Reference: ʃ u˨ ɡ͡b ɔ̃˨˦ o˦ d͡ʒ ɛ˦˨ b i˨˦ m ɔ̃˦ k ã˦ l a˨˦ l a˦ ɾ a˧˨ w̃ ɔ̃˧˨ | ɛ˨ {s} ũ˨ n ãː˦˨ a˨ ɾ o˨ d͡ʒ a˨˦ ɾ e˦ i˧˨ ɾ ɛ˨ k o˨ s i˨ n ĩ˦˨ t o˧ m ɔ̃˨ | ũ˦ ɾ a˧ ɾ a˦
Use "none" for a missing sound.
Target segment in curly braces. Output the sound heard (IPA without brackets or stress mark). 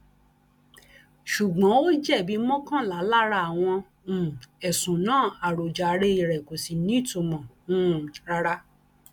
s